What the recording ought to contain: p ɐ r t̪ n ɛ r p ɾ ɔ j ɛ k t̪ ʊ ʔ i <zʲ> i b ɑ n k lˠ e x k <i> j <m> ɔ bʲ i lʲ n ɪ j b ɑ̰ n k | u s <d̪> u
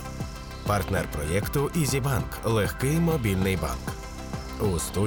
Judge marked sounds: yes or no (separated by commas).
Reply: yes, no, yes, no